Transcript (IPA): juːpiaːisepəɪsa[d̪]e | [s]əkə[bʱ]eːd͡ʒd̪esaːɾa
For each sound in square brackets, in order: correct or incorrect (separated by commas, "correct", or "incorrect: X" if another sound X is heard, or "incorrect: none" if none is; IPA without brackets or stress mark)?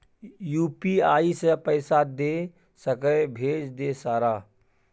correct, correct, correct